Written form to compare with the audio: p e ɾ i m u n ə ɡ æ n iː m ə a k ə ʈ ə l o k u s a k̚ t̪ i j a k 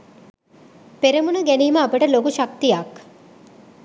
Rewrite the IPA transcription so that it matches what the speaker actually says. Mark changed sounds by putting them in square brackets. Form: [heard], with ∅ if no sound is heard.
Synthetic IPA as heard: p e ɾ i m u n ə ɡ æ n iː m ə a [p] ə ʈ ə l o k u [ʃ] a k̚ t̪ i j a k